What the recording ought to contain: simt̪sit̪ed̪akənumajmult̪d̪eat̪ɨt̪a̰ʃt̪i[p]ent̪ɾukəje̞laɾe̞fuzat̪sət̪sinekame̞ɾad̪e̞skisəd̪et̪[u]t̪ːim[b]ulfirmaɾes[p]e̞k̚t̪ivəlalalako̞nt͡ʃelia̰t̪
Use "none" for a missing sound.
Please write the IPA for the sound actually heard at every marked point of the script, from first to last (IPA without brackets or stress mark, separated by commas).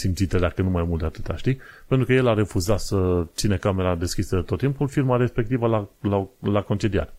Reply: p, o, p, p